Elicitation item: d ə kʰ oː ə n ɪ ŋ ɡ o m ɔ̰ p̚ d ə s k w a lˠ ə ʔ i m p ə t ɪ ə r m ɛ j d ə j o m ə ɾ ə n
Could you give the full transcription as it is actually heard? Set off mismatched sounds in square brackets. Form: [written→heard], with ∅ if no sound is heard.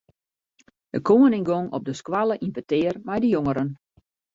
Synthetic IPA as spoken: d ə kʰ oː ə n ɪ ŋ ɡ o [m→ŋ] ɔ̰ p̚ d ə s k w a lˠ ə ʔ i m p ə t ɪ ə r m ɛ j d ə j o [m→ŋ] ə ɾ ə n